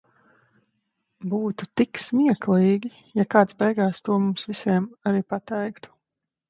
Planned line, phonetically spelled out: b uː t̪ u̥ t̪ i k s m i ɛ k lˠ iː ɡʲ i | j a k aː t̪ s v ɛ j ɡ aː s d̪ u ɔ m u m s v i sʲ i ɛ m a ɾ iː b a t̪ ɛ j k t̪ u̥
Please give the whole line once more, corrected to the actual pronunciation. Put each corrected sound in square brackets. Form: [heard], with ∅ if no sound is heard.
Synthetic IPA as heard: b uː t̪ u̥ t̪ i k s m i ɛ k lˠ iː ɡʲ i | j a k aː t̪ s [b] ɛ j ɡ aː s [t̪] u ɔ m u m s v i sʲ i ɛ m a ɾ iː [p] a t̪ ɛ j k t̪ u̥